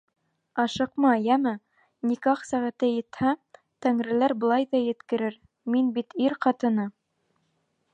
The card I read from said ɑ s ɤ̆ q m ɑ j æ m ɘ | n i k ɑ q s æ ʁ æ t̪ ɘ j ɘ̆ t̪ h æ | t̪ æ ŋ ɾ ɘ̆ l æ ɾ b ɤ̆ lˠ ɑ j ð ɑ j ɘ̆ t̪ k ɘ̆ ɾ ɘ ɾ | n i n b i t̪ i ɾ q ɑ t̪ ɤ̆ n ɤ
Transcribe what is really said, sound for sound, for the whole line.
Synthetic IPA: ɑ ʃ ɤ̆ q m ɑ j æ m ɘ | n i k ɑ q s æ ʁ æ t̪ ɘ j ɘ̆ t̪ h æ | t̪ æ ŋ ɾ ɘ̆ l æ ɾ b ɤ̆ lˠ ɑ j ð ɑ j ɘ̆ t̪ k ɘ̆ ɾ ɘ ɾ | m i n b i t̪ i ɾ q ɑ t̪ ɤ̆ n ɤ